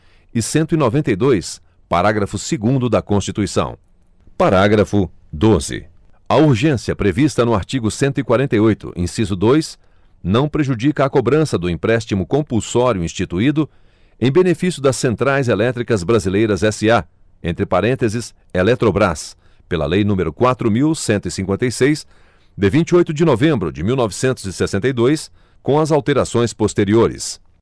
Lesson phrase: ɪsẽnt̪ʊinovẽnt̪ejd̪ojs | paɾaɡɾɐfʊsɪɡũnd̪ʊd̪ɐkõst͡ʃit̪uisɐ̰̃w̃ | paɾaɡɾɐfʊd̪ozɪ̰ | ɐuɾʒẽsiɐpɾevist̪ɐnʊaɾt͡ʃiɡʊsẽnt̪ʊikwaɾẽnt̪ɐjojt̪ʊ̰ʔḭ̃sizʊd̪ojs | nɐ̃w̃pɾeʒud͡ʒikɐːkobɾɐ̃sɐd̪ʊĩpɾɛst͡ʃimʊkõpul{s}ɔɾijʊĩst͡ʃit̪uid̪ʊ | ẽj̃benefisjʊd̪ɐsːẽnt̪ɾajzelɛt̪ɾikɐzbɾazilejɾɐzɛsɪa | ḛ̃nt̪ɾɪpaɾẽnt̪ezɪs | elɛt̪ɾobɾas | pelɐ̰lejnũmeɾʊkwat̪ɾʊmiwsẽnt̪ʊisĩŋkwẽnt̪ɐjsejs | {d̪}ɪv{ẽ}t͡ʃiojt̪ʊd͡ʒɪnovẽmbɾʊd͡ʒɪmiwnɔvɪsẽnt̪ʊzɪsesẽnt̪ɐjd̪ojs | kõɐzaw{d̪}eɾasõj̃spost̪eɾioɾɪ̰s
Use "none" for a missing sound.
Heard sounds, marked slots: s, d̪, ĩ, t̪

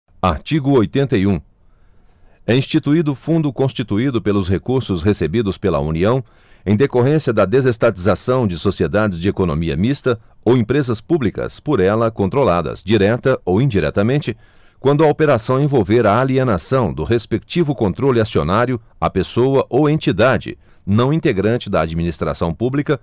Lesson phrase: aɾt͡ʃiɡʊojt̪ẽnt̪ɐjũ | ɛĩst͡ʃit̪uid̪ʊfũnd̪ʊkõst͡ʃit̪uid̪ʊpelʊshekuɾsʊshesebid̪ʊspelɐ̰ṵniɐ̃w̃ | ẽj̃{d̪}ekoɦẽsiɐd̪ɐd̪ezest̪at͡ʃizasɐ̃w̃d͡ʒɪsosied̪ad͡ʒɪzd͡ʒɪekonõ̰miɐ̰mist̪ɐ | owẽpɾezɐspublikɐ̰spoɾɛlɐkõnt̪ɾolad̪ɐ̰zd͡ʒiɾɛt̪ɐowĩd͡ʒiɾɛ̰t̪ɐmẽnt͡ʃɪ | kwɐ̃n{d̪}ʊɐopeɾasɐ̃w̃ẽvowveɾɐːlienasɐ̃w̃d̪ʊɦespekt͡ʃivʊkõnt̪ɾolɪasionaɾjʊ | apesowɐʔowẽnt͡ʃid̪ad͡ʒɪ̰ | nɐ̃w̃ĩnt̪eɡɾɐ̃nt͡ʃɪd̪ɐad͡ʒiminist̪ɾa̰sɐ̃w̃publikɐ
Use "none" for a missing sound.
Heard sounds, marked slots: d̪, d̪

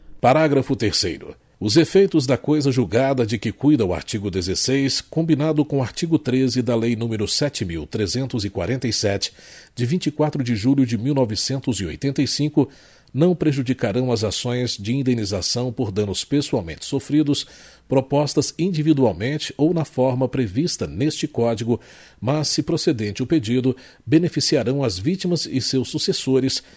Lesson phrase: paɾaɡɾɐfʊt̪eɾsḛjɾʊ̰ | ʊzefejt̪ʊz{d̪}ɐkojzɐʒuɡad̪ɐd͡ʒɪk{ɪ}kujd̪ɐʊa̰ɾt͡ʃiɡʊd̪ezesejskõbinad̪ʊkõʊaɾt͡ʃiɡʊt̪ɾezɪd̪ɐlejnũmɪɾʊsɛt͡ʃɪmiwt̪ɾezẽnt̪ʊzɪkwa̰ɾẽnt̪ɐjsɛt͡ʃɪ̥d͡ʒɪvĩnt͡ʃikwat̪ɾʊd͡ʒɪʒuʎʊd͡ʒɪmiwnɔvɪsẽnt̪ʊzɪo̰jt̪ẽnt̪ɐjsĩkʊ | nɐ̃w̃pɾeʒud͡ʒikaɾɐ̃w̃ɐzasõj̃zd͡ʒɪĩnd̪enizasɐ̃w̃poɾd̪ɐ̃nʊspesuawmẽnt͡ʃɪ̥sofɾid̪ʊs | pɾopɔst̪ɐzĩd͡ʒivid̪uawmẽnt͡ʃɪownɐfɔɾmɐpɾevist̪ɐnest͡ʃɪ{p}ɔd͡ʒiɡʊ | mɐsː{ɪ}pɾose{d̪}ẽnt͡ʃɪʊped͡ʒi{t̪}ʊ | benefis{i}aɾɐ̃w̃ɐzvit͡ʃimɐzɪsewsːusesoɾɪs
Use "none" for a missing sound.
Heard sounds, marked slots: d̪, ɪ, k, ɪ, d̪, d̪, i

